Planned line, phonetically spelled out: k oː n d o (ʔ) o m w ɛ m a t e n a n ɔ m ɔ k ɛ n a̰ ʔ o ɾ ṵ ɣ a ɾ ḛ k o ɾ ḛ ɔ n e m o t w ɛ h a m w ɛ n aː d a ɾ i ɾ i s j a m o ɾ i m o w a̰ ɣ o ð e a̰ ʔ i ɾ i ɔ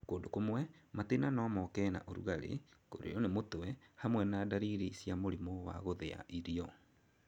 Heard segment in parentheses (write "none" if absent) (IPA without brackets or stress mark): k